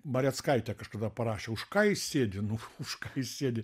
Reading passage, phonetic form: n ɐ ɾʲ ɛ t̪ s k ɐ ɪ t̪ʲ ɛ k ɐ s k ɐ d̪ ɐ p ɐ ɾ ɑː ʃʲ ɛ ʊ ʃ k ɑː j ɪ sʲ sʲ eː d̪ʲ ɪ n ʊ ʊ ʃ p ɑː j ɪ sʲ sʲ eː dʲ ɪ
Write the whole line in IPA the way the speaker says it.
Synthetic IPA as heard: m ɐ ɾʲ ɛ t̪ s k ɐ ɪ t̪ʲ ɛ k ɐ ʃ k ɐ d̪ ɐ p ɐ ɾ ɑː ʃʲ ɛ ʊ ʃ k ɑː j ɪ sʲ sʲ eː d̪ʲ ɪ n ʊ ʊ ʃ k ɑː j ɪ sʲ sʲ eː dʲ ɪ